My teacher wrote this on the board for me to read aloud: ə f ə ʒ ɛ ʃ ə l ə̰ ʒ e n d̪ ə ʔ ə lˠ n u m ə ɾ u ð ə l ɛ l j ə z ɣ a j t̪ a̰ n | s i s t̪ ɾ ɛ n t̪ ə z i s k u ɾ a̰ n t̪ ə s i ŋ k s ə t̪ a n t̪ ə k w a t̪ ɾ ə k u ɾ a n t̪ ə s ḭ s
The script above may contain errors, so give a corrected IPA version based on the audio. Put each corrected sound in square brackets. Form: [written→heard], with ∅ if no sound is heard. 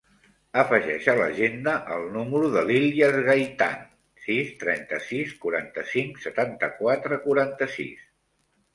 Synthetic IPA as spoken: ə f ə ʒ ɛ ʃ ə l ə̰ ʒ e n d̪ ə ʔ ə lˠ n u m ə ɾ u ð ə l [ɛ→i] l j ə z ɣ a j t̪ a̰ n | s i s t̪ ɾ ɛ n t̪ ə [z→s] i s k u ɾ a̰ n t̪ ə s i ŋ k s ə t̪ a n t̪ ə k w a t̪ ɾ ə k u ɾ a n t̪ ə s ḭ s